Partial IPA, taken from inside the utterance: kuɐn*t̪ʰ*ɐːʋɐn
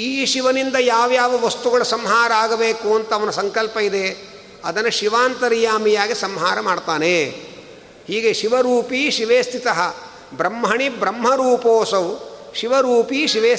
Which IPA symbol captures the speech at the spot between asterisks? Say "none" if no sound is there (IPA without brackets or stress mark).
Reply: t̪